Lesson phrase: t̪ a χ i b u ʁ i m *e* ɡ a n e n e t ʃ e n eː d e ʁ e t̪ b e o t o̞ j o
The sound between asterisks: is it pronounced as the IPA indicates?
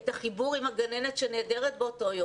no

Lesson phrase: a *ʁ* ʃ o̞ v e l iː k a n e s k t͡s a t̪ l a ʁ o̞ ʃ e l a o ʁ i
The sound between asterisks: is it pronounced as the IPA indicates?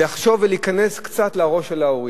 no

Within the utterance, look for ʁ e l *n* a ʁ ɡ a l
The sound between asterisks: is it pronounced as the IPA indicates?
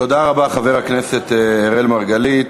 no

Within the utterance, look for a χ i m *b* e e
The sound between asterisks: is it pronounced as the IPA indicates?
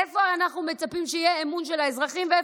no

